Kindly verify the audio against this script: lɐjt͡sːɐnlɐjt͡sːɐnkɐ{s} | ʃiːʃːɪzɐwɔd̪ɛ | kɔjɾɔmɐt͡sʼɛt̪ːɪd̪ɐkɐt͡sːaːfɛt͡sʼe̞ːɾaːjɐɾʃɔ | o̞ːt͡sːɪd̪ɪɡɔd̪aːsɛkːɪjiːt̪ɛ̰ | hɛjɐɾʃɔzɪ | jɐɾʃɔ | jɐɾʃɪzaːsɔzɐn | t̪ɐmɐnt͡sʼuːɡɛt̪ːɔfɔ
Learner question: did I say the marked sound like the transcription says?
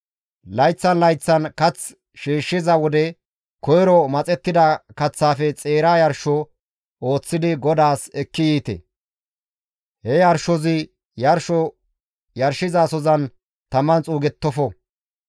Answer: no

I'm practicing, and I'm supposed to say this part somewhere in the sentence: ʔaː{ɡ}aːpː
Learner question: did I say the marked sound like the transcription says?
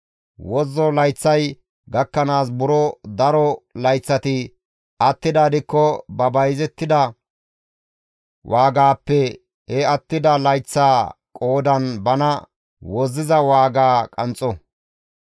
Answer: yes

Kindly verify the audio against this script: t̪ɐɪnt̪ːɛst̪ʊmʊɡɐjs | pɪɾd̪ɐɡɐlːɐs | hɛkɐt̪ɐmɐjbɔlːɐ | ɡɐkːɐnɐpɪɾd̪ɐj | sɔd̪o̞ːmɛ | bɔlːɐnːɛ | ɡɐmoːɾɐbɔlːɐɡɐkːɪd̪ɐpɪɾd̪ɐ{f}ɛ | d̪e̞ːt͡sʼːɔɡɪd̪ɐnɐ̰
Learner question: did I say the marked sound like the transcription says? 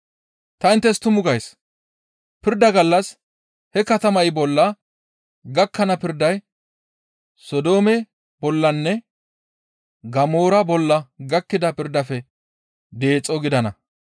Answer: yes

